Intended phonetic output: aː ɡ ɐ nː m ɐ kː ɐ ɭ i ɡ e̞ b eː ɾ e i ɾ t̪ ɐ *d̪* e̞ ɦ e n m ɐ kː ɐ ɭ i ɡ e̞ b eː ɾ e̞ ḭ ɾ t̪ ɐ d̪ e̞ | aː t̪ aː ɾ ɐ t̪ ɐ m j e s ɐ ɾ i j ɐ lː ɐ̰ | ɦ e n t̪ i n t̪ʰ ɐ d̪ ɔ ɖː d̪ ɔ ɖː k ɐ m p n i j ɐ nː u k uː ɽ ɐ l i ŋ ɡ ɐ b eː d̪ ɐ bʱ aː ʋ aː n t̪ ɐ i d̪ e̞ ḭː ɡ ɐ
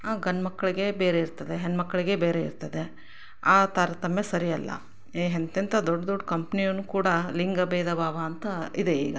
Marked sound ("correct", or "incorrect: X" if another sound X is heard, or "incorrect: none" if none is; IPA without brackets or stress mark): correct